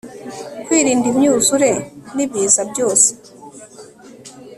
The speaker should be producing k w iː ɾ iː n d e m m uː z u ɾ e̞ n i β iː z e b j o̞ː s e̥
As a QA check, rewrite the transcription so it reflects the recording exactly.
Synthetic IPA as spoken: k w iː ɾ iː n d i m ɲ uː z u ɾ e̞ n i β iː z a b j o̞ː s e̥